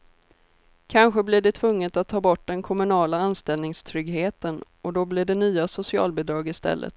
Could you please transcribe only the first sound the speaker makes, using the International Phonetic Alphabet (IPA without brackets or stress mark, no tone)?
kʰ